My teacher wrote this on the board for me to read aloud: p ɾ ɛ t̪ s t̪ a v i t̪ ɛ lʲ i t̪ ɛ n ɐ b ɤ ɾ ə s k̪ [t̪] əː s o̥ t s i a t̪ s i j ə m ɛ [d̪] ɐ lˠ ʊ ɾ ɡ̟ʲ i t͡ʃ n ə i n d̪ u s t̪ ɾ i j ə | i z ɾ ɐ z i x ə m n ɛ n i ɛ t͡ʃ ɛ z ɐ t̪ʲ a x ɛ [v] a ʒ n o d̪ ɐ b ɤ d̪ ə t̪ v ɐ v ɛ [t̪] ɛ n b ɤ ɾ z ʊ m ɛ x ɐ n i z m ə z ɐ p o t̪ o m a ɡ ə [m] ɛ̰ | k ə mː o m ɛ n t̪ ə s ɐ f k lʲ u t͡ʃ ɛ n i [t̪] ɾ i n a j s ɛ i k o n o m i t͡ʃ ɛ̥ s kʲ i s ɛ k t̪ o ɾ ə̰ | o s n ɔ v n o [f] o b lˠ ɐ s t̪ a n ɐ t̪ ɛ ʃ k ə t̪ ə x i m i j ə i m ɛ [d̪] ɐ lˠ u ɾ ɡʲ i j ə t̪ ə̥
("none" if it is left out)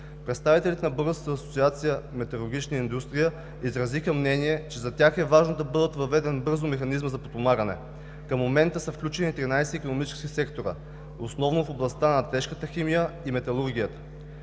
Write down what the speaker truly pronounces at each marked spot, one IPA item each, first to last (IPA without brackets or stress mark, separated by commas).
t̪, t̪, v, d̪, n, t̪, f, t̪